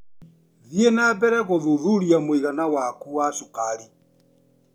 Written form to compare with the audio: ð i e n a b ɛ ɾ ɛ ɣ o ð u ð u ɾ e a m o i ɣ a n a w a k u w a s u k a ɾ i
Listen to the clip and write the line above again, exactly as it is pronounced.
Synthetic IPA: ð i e n a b ɛ ɾ ɛ ɣ o ð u ð u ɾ i a m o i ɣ a n a w a k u w a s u k a ɾ i